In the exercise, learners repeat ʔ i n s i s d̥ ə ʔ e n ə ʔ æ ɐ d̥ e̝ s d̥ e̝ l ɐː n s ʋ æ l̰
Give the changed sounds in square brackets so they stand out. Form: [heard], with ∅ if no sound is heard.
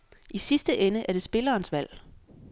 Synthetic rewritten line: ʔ i [∅] s i s d̥ ə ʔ e n ə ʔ æ ɐ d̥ e̝ s [b̥] e̝ l ɐː n s ʋ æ l̰